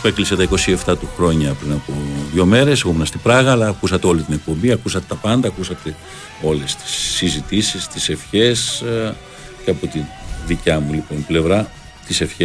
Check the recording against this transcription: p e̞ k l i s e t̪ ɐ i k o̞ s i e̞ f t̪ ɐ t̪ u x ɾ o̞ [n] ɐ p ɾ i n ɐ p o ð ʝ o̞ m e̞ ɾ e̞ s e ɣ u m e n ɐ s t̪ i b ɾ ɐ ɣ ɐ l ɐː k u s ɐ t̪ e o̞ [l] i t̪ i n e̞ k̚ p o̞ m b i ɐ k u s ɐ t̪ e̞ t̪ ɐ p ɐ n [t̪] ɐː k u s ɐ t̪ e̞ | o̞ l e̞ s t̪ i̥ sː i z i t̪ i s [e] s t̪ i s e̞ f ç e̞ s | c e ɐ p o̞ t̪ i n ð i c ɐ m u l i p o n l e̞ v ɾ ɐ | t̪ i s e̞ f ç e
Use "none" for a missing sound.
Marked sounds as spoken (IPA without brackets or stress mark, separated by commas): ɲ, l, d̪, i